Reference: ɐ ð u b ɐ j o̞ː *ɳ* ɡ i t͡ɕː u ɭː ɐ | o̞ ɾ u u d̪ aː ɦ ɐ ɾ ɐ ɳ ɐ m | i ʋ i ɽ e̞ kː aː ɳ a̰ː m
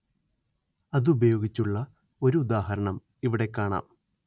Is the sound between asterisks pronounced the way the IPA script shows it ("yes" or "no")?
no